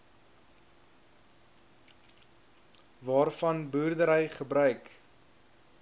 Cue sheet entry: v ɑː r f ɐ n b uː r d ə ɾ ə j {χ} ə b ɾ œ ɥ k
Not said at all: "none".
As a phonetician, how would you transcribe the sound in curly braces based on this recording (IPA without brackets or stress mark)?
χ